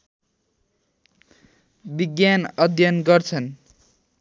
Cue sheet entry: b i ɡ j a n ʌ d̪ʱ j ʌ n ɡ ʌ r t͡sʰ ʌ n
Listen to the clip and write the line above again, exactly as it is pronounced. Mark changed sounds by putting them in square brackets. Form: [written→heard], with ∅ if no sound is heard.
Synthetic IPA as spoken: b i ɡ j a n ʌ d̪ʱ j ʌ n ɡ ʌ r t͡sʰ ʌ n